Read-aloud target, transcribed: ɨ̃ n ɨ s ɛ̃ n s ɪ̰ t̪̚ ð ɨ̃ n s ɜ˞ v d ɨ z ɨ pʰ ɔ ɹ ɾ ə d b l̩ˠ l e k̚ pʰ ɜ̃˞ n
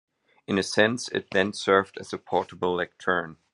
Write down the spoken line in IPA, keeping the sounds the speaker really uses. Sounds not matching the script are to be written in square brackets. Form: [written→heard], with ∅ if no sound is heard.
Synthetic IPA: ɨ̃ n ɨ s ɛ̃ n s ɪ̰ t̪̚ ð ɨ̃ n s ɜ˞ v d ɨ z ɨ pʰ ɔ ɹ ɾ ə [d→∅] b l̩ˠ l [e→ɛ] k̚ [pʰ→tʰ] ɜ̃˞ n